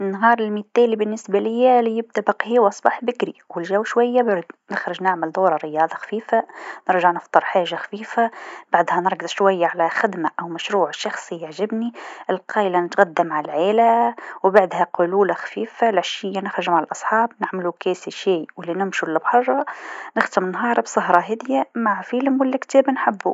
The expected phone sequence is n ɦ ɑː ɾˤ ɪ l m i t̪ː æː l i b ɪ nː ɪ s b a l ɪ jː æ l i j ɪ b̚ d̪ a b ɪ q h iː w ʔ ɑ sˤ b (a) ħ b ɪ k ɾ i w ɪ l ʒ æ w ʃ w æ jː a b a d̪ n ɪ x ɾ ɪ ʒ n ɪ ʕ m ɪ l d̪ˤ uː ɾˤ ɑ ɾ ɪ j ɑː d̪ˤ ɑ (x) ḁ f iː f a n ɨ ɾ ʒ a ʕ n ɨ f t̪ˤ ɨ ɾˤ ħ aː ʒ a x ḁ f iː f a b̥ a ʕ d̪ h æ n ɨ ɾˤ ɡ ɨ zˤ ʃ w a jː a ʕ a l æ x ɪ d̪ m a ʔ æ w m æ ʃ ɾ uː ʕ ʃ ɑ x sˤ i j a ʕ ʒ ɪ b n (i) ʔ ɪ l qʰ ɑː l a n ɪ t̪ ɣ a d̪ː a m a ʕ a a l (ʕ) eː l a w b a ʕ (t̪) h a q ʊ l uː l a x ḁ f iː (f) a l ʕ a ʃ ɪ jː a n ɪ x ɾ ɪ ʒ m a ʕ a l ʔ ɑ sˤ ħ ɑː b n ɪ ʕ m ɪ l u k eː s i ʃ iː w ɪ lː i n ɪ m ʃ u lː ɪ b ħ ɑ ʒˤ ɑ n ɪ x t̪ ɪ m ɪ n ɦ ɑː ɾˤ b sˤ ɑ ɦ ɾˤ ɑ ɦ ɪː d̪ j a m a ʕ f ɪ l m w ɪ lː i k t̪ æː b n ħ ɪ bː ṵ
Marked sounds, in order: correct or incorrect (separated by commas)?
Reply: incorrect, correct, correct, correct, incorrect, correct